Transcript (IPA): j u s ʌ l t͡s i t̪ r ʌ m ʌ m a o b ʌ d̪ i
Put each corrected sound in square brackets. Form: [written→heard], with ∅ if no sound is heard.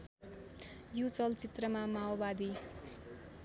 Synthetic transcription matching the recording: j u [s→t͡s] ʌ l t͡s i t̪ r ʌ m [ʌ→a] m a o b [ʌ→a] d̪ i

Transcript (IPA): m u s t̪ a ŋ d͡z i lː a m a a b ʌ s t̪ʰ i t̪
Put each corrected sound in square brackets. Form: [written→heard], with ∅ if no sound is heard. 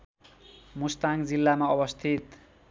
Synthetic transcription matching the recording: m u s t̪ a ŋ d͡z i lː a m a [a→ʌ] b ʌ s t̪ʰ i t̪

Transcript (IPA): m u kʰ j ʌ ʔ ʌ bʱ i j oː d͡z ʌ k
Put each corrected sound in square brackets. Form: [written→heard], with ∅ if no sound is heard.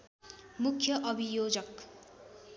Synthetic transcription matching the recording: m u kʰ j ʌ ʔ ʌ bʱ i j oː d͡z ʌ k

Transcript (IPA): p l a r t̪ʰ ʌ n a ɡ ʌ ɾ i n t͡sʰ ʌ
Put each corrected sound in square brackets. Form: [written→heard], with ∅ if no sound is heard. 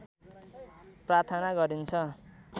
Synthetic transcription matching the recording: p [l→r] a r t̪ʰ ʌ n a ɡ ʌ ɾ i n t͡sʰ ʌ

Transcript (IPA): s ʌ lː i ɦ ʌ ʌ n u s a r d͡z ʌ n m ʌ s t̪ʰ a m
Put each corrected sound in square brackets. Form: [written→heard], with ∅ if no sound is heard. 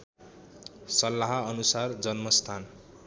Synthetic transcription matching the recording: s ʌ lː [i→a] ɦ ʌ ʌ n u s a r d͡z ʌ n m ʌ s t̪ʰ a [m→n]

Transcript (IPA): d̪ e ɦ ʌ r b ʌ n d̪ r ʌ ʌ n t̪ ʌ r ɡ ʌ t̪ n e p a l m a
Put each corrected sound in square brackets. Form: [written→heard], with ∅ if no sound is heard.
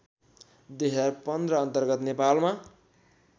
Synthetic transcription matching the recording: d̪ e ɦ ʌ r [b→p] ʌ n d̪ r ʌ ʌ n t̪ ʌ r ɡ ʌ t̪ n e p a l m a

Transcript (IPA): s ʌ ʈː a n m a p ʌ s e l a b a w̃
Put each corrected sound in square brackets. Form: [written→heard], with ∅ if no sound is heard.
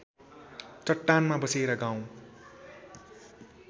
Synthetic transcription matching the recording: [s→t͡s] ʌ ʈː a n m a [p→b] ʌ s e [l→ɾ] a [b→ɡ] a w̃

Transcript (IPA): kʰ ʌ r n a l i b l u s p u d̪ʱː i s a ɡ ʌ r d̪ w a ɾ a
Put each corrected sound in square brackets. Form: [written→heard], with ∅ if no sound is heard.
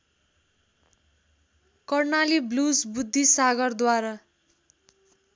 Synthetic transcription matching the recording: [kʰ→k] ʌ r n a l i b l u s [p→b] u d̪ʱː i s a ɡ ʌ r d̪ w a ɾ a

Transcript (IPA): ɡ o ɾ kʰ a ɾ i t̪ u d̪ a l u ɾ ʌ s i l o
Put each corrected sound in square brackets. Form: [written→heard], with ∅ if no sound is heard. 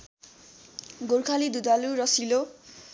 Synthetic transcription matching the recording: ɡ o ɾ kʰ a [ɾ→l] i [t̪→d̪] u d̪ a l u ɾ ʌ s i l o

